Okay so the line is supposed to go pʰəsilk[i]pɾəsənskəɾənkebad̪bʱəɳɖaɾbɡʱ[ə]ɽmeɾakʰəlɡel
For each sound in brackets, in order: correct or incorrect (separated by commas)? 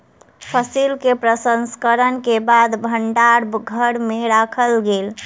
incorrect, correct